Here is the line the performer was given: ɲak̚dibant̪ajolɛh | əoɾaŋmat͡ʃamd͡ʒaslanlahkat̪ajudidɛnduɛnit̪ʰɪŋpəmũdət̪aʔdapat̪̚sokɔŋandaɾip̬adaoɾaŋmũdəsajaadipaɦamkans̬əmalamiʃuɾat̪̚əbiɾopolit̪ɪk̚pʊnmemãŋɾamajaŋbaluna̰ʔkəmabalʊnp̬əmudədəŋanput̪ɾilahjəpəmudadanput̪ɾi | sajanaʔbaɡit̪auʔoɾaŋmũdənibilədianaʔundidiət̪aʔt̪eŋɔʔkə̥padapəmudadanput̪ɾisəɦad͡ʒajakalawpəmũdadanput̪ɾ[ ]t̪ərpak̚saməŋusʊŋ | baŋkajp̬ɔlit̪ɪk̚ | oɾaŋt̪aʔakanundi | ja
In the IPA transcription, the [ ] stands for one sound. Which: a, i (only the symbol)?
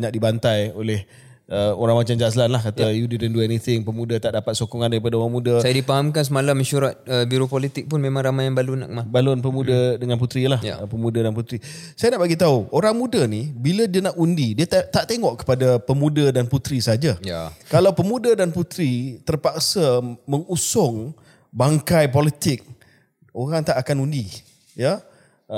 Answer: i